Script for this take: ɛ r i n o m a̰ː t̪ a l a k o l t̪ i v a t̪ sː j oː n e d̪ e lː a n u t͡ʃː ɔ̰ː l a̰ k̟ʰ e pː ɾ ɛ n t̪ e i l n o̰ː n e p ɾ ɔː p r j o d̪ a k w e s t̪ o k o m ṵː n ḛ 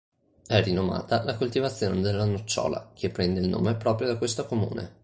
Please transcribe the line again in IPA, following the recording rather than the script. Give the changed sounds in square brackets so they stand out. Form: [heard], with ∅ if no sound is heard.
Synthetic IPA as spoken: ɛ r i n o m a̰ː t̪ a l a k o l t̪ i v a t̪ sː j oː n e d̪ e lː a n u t͡ʃː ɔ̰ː l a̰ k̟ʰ e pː ɾ ɛ n [d̪] e i l n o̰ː [m] e p ɾ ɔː p [ɾ] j o d̪ a k w e s t̪ o k o m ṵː n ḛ